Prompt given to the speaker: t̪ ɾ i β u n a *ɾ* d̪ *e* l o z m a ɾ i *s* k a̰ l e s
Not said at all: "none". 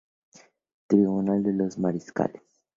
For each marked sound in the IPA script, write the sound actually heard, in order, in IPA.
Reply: l, e, s

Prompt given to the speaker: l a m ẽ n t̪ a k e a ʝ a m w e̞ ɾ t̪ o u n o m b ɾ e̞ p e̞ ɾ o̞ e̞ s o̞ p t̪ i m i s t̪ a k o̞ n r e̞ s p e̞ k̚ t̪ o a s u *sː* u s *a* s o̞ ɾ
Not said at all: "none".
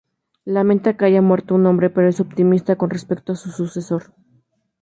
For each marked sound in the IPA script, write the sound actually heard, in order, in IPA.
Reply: s, e

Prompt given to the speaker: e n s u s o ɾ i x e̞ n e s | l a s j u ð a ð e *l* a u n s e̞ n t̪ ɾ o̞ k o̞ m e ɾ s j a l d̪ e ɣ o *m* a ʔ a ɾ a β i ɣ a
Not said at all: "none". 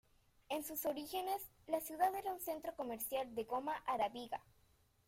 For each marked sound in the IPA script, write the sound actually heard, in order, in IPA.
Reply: ɾ, m

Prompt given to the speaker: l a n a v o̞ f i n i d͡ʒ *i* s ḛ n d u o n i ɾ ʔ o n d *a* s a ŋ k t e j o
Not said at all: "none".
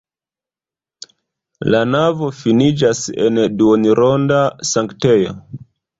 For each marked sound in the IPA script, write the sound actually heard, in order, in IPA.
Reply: a, a

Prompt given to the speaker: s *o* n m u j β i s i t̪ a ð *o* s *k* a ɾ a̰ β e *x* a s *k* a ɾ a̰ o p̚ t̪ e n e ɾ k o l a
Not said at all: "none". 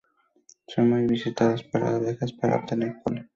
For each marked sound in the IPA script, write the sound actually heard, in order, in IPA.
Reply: o, o, p, x, p

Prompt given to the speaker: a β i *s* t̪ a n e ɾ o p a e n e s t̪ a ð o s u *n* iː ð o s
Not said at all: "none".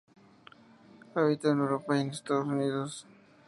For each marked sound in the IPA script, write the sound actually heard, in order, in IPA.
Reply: none, n

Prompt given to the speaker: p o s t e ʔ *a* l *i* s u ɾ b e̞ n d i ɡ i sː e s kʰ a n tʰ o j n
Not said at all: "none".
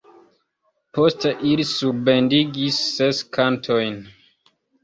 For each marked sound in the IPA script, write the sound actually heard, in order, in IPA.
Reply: i, i

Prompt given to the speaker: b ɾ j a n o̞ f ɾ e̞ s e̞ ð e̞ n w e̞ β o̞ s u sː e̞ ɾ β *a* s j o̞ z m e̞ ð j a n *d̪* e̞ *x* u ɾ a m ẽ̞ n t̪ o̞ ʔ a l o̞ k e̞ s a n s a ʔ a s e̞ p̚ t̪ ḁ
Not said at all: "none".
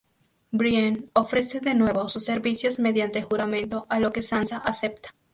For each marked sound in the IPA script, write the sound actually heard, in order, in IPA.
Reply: i, t̪, x

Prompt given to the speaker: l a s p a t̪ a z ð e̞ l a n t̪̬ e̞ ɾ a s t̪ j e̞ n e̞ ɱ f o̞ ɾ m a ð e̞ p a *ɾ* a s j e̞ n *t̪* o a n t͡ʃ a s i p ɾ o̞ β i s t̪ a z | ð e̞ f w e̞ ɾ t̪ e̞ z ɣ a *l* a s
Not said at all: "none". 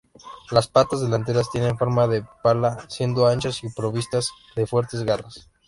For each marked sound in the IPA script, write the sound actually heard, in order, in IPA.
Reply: l, d̪, r

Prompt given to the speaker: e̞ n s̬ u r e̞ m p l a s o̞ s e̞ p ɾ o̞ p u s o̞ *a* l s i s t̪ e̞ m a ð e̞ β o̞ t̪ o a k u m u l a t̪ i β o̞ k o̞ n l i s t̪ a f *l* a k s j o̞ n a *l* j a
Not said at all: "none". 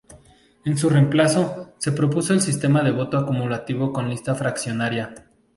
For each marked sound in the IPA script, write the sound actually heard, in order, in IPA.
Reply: e, ɾ, ɾ

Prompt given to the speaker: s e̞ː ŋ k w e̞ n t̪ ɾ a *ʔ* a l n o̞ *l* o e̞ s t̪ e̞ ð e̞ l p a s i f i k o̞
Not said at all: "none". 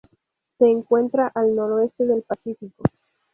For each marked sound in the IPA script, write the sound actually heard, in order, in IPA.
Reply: ʔ, ɾ

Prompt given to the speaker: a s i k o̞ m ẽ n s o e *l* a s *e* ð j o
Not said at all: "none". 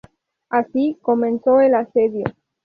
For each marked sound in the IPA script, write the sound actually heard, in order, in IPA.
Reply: l, e

